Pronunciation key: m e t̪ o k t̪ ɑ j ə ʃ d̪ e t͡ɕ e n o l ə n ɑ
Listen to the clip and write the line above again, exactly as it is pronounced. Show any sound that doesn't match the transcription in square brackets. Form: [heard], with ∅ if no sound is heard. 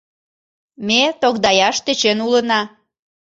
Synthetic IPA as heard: m e t̪ o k [d̪] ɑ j [ɑ] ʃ [t̪] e t͡ɕ e n [u] l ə n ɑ